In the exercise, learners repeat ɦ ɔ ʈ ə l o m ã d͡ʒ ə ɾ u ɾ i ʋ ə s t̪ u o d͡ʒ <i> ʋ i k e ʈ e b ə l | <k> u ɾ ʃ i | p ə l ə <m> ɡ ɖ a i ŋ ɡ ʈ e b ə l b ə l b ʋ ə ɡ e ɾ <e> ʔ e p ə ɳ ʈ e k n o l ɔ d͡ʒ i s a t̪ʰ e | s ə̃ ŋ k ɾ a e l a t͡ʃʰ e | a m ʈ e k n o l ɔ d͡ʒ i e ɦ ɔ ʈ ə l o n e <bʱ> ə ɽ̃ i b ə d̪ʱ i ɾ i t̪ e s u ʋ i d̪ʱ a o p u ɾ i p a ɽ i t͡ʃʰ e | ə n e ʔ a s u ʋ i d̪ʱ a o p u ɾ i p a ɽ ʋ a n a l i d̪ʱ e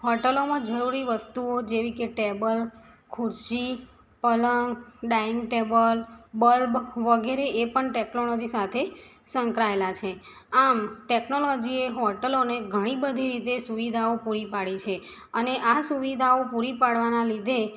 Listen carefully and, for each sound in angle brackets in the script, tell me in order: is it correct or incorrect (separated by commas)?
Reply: incorrect, incorrect, incorrect, correct, incorrect